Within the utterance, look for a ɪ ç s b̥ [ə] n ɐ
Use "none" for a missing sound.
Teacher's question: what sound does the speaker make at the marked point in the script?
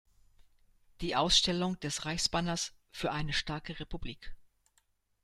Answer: a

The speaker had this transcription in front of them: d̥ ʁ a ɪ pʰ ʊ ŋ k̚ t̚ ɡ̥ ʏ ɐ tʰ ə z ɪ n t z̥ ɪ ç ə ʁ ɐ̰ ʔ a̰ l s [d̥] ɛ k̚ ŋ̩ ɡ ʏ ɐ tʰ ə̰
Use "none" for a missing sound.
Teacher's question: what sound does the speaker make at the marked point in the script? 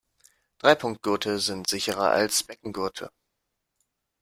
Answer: b̥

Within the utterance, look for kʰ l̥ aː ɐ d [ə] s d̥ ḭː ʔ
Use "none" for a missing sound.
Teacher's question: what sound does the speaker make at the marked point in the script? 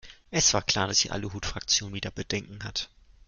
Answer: a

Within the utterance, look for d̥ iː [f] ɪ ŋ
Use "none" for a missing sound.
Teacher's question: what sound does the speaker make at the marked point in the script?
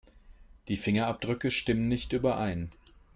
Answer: f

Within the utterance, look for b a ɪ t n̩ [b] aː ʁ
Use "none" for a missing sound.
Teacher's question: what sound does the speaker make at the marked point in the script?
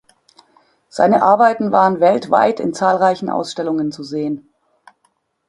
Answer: v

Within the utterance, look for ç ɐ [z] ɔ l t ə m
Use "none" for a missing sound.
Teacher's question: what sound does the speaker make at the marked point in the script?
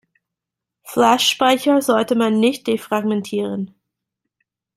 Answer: z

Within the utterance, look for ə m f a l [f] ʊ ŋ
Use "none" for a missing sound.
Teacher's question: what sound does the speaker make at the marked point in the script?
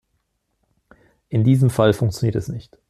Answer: f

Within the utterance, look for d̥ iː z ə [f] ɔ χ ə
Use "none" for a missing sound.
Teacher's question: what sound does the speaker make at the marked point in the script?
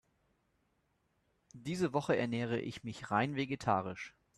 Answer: v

